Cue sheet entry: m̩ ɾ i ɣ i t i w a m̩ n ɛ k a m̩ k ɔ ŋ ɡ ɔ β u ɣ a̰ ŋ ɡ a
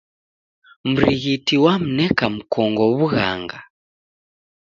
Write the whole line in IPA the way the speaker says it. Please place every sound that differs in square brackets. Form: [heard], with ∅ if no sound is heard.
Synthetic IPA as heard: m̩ ɾ i ɣ i t i w a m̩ n ɛ k a m̩ k ɔ ŋ ɡ ɔ β u ɣ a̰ ŋ ɡ a